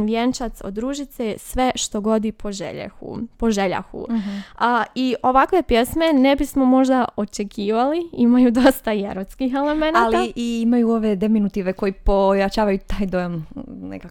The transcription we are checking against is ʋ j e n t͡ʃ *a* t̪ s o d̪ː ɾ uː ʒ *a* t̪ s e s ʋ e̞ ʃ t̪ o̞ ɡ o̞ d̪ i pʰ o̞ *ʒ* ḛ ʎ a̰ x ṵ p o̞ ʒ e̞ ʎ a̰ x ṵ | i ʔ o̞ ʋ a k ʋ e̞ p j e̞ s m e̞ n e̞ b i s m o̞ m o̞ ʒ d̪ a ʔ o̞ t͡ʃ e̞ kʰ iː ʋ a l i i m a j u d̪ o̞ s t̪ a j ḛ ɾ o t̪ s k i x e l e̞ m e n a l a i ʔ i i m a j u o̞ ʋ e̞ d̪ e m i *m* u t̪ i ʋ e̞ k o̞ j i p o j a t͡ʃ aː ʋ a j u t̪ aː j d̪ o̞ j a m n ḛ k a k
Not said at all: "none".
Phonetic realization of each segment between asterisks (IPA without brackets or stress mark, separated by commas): a, i, ʒ, n